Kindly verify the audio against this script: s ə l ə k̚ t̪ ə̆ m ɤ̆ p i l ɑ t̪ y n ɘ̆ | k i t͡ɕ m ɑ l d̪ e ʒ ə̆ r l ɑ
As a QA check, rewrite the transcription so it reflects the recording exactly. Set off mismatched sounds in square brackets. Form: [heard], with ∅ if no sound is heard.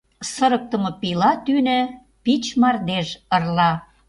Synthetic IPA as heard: s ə [ɾ] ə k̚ t̪ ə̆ m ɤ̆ p i l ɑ t̪ y n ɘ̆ | [p] i t͡ɕ m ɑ [r] d̪ e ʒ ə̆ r l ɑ